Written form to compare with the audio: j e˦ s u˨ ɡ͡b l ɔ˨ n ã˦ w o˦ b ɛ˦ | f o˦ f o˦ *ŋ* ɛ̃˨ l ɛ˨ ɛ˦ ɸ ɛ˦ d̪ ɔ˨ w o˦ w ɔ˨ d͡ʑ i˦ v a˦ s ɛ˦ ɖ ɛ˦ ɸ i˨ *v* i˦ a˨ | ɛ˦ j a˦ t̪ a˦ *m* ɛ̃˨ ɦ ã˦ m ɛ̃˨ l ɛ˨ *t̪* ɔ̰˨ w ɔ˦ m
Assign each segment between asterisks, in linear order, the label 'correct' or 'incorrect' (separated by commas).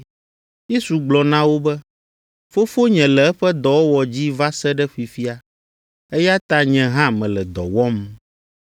incorrect, incorrect, incorrect, incorrect